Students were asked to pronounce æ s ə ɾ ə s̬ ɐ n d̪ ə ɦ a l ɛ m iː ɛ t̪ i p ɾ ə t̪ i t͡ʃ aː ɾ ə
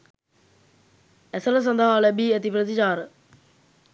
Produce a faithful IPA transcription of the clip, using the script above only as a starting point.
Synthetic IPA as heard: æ s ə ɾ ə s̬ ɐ n d̪ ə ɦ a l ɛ b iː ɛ t̪ i p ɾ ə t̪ i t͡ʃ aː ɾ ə